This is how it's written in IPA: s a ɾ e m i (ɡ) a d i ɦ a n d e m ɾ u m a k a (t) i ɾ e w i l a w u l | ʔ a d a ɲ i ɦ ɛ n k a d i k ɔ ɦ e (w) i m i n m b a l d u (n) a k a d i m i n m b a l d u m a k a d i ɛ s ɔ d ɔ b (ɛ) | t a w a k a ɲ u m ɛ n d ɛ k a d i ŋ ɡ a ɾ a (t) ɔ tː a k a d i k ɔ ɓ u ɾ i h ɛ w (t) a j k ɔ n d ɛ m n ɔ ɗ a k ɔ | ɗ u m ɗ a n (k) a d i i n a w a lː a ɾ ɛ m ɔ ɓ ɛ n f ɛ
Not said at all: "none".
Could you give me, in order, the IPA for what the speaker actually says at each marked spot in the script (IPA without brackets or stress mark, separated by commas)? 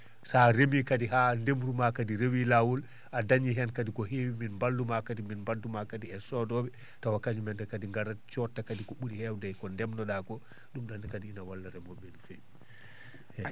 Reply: k, d, w, m, ɛ, t͡ʃ, d, k